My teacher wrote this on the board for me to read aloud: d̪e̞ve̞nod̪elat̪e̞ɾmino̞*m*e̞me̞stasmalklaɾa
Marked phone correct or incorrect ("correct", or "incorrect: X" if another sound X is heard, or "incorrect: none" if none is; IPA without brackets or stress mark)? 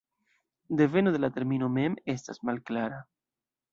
correct